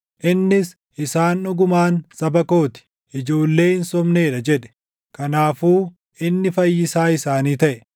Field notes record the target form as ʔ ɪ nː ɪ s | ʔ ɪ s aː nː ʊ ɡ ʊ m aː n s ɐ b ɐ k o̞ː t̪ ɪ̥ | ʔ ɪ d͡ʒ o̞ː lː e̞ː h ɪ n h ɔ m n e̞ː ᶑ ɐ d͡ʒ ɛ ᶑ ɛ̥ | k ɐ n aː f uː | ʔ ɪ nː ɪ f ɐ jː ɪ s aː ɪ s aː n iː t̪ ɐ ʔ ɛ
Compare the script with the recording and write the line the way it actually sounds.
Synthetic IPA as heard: ʔ ɪ nː ɪ s | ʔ ɪ s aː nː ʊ ɡ ʊ m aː n s ɐ b ɐ k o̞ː t̪ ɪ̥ | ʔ ɪ d͡ʒ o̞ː lː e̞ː h ɪ n s ɔ m n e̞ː ᶑ ɐ d͡ʒ ɛ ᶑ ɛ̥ | k ɐ n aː f uː | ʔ ɪ nː ɪ f ɐ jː ɪ s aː ɪ s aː n iː t̪ ɐ ʔ ɛ

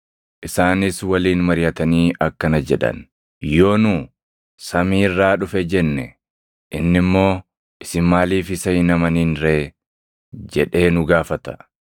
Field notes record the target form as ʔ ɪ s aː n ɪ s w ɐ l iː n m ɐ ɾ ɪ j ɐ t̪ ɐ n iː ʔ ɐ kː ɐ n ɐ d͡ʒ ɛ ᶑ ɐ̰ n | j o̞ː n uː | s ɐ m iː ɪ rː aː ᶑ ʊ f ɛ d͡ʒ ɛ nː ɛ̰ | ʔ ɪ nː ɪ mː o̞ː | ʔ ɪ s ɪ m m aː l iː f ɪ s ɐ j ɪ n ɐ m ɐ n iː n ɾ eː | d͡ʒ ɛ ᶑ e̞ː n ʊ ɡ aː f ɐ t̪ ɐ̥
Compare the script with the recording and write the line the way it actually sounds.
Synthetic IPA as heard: ʔ ɪ s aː n ɪ s w ɐ l iː n m ɐ ɾ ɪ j ɐ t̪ ɐ n iː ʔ ɐ kː ɐ n ɐ d͡ʒ ɛ ᶑ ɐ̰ n | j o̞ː n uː | s ɐ m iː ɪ rː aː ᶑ ʊ f ɛ d͡ʒ ɛ nː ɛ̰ | ʔ ɪ nː ɪ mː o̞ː | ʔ ɪ s ɪ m m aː l iː f ɪ s ɐ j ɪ n ɐ m ɐ n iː n ɾ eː | d͡ʒ ɛ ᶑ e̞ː n ʊ ɡ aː f ɐ t̪ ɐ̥

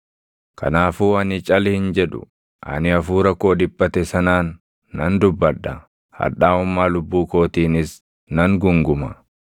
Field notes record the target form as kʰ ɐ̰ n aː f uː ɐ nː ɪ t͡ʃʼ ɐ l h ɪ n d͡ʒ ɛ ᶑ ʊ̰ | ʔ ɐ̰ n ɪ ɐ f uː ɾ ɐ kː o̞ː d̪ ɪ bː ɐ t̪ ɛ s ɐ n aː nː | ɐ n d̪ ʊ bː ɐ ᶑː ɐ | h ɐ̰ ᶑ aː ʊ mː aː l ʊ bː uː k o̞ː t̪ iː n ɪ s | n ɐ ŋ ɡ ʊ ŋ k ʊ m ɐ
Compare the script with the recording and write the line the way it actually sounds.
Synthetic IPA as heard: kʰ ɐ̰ n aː f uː ɐ n ɪ t͡ʃʼ ɐ l h ɪ n d͡ʒ ɛ ᶑ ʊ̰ | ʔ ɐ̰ n ɪ ɐ f uː ɾ ɐ kː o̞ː d̪ ɪ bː ɐ t̪ ɛ s ɐ n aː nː | ɐ n d̪ ʊ bː ɐ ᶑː ɐ | h ɐ̰ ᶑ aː ʊ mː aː l ʊ bː uː k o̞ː t̪ iː n ɪ s | n ɐ ŋ ɡ ʊ ŋ ɡ ʊ m ɐ

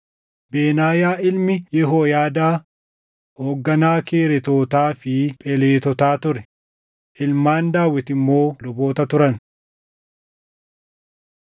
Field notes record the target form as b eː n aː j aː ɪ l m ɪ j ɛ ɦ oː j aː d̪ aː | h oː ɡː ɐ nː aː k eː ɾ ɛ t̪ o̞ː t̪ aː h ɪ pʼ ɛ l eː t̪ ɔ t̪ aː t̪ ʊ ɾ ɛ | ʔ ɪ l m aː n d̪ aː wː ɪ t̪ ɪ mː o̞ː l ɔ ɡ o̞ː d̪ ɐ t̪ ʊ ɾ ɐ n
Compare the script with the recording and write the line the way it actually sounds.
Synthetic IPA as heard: b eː n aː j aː ɪ l m ɪ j ɛ ɦ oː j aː d̪ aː | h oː ɡː ɐ n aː k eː ɾ ɛ t̪ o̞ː t̪ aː f ɪ pʼ ɛ l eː t̪ ɔ t̪ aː t̪ ʊ ɾ ɛ | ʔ ɪ l m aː n d̪ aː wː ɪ t̪ ɪ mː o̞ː l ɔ b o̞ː t̪ ɐ t̪ ʊ ɾ ɐ n

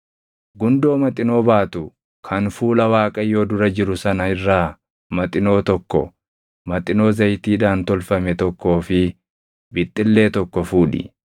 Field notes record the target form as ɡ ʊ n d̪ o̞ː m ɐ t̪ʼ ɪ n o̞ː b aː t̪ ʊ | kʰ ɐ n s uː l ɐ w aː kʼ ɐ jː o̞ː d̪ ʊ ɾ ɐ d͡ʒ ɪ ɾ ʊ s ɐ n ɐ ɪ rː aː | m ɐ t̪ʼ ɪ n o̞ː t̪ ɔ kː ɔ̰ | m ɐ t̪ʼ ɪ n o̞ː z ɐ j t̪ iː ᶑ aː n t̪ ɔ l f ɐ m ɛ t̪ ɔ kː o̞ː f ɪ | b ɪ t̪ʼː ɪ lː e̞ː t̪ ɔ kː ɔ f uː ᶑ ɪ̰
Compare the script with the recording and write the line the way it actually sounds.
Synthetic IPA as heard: ɡ ʊ n d̪ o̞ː m ɐ t̪ʼ ɪ n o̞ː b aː t̪ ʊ | kʰ ɐ n f uː l ɐ w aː kʼ ɐ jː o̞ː d̪ ʊ ɾ ɐ d͡ʒ ɪ ɾ ʊ s ɐ n ɐ ɪ rː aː | m ɐ t̪ʼ ɪ n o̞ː t̪ ɔ kː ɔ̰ | m ɐ t̪ʼ ɪ n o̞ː z ɐ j t̪ iː ᶑ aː n t̪ ɔ l f ɐ m ɛ t̪ ɔ kː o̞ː f ɪ | b ɪ t̪ʼː ɪ lː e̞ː t̪ ɔ kː ɔ f uː ᶑ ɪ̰

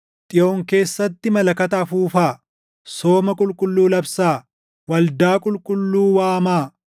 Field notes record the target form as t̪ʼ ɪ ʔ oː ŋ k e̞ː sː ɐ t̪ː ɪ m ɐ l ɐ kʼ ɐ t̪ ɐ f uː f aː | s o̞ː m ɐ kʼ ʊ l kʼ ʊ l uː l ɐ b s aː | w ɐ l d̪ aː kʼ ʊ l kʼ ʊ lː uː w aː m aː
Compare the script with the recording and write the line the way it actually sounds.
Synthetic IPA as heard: t̪ʼ ɪ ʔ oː ŋ k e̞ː sː ɐ t̪ː ɪ m ɐ l ɐ k ɐ t̪ ɐ f uː f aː | s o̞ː m ɐ kʼ ʊ l kʼ ʊ lː uː l ɐ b s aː | w ɐ l d̪ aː kʼ ʊ l kʼ ʊ lː uː w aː m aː

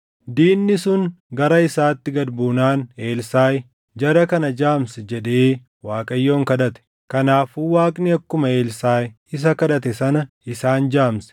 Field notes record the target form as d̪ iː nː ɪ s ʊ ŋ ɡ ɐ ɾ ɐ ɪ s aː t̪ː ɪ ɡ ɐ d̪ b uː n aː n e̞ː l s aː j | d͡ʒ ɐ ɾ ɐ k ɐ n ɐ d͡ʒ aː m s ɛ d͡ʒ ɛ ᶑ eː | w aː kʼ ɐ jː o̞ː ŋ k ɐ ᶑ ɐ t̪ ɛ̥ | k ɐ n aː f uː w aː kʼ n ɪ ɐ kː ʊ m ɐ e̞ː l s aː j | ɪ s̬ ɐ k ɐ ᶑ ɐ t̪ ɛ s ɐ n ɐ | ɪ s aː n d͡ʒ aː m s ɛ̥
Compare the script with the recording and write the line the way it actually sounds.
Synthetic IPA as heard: d̪ iː nː ɪ s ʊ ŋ ɡ ɐ ɾ ɐ ɪ s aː t̪ː ɪ ɡ ɐ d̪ b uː n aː n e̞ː l s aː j | d͡ʒ ɐ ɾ ɐ k ɐ n ɐ d͡ʒ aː m s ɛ d͡ʒ ɛ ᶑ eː | w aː kʼ ɐ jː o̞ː ŋ k ɐ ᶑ ɐ t̪ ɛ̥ | k ɐ n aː f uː w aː kʼ n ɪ ɐ kː ʊ m ɐ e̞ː l s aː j | ɪ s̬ ɐ k ɐ ᶑ ɐ t̪ ɛ s ɐ n ɐ | ɪ s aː n d͡ʒ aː m s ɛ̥

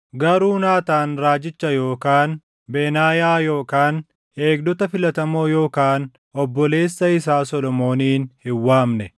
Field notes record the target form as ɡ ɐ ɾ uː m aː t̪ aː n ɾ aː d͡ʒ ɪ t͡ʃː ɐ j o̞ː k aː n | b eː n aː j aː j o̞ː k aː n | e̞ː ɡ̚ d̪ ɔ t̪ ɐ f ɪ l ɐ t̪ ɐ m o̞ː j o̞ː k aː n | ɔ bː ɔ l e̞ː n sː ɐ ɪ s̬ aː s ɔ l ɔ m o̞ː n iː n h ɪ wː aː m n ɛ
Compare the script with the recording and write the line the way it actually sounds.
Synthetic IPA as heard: ɡ ɐ ɾ uː n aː t̪ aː n ɾ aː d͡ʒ ɪ t͡ʃː ɐ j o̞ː k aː n | b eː n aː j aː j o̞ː k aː n | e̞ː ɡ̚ d̪ ɔ t̪ ɐ f ɪ l ɐ t̪ ɐ m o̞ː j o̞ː k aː n | ɔ bː ɔ l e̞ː sː ɐ ɪ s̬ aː s ɔ l ɔ m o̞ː n iː n h ɪ wː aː m n ɛ

